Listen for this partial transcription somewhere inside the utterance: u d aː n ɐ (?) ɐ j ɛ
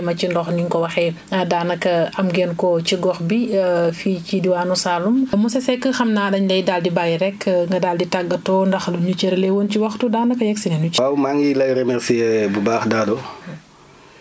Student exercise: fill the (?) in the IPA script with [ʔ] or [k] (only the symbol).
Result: k